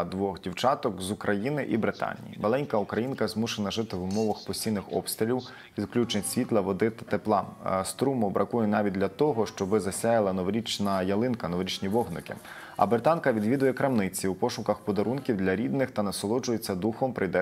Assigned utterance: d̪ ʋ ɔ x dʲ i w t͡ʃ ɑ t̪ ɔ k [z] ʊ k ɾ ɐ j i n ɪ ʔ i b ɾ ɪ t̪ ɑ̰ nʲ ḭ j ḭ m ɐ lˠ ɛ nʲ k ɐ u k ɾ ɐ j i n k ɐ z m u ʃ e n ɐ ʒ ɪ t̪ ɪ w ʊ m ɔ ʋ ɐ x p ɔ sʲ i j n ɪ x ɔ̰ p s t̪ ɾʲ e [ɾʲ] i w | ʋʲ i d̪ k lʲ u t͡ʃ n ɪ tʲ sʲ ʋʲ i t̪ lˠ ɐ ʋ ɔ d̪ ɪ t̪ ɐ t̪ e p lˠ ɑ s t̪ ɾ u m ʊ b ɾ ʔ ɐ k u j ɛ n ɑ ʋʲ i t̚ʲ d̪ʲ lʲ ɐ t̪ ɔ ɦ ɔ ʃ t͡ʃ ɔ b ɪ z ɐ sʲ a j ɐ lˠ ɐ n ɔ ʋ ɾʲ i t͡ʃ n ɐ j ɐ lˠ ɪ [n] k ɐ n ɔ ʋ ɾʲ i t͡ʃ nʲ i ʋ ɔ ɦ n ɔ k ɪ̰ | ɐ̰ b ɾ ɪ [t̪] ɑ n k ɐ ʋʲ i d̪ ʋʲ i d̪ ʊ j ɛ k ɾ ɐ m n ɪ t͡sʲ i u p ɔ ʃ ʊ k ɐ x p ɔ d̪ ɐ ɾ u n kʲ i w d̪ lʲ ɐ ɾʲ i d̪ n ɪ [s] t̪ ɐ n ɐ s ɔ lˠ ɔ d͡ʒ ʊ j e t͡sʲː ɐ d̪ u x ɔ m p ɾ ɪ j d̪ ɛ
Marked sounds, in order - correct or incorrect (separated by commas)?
correct, incorrect, correct, correct, incorrect